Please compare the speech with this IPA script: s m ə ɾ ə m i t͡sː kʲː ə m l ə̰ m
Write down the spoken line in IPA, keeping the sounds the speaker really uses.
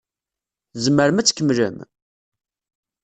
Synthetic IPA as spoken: z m ə ɾ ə m æ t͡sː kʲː ə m l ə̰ m